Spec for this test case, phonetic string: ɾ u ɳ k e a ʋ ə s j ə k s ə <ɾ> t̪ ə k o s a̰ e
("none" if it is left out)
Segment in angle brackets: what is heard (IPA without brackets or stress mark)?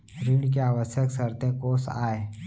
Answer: ɾ